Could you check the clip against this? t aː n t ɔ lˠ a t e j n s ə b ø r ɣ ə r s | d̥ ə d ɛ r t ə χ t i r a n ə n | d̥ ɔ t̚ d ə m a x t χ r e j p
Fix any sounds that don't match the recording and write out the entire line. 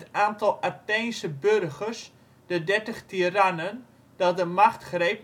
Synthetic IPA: t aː n t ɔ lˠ a t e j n s ə b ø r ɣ ə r s | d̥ ə d ɛ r t ə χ t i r a n ə n | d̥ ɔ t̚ d ə m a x t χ r e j p